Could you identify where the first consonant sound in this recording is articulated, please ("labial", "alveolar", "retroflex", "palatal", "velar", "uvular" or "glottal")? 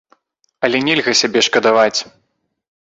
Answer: alveolar